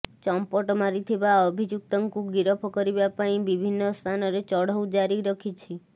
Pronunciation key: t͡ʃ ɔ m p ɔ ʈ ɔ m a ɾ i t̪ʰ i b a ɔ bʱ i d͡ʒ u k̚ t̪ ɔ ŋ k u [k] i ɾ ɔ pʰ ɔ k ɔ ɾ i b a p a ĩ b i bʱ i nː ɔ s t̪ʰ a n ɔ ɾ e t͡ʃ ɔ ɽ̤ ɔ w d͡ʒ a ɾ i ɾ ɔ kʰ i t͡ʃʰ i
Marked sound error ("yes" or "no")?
yes